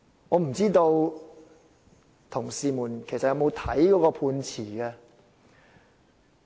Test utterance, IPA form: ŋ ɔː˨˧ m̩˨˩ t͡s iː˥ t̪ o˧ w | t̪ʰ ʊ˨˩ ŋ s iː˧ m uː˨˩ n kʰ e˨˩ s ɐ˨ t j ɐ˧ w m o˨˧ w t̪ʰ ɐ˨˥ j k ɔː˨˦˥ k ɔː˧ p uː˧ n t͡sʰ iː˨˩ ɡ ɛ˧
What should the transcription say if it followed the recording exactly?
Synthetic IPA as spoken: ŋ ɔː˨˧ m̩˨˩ t͡s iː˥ t̪ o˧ w | t̪ʰ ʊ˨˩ ŋ s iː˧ m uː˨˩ n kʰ e˨˩ s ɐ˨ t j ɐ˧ w m o˨˧ w t̪ʰ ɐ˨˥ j k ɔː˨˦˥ k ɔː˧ pʰ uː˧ n t͡sʰ iː˨˩ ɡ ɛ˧